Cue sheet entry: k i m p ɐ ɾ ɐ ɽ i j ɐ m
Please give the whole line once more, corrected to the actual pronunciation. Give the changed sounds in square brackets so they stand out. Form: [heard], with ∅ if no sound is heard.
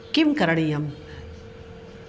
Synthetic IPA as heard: k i m [k] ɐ ɾ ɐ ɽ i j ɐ m